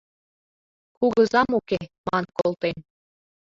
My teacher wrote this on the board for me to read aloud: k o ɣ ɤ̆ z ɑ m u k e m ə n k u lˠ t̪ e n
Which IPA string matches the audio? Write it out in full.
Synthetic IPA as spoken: k u ɣ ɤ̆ z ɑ m u k e m ɑ n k o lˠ t̪ e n